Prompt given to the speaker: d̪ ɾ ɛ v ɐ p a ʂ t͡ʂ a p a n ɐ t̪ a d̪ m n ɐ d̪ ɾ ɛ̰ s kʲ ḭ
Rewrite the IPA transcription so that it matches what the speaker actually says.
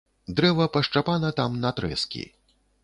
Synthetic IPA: d̪ ɾ ɛ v ɐ p ɐ ʂ t͡ʂ a p a n ɐ t̪ a m n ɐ t̪ ɾ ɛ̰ s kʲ ḭ